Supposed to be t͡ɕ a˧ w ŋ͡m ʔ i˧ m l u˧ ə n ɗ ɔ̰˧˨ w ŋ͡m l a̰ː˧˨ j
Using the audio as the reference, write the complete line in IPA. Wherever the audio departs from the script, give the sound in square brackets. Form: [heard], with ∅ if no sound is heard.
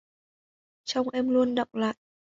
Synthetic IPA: t͡ɕ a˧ w ŋ͡m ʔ [ɛ˧] m l u˧ ə n ɗ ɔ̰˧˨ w ŋ͡m l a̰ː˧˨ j